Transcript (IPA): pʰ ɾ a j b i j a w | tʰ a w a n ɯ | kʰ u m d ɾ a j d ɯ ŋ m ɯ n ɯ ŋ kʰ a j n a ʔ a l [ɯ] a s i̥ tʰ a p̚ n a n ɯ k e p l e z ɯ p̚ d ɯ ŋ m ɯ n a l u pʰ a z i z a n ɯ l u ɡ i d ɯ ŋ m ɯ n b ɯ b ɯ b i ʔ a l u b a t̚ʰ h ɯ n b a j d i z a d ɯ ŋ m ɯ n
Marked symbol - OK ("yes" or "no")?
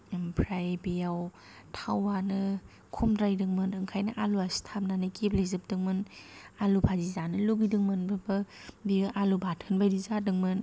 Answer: no